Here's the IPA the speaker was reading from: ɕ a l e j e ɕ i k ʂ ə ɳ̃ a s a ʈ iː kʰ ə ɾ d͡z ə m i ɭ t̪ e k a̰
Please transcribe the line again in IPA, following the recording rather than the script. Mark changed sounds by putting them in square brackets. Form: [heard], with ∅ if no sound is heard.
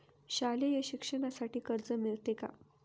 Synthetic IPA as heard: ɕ a l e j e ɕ i k ʂ ə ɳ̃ a s a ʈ iː [k] ə ɾ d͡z ə m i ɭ t̪ e k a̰